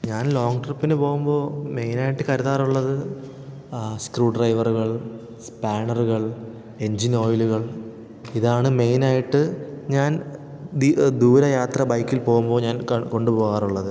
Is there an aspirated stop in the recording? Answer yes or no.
no